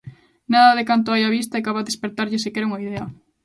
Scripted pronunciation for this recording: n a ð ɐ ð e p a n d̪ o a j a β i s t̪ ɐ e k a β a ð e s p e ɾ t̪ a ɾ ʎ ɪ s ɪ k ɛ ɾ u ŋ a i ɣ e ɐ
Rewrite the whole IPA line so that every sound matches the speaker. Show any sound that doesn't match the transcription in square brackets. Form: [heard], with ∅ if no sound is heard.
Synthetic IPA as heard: n a ð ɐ ð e [k] a n [t̪] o a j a β i s t̪ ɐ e k a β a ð e s p e ɾ t̪ a ɾ ʎ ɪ s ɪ k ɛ ɾ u ŋ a i [ð] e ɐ